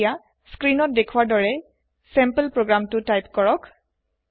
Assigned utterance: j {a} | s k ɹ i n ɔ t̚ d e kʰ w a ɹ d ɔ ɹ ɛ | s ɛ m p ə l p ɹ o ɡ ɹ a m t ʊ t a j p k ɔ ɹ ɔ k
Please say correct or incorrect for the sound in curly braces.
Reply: correct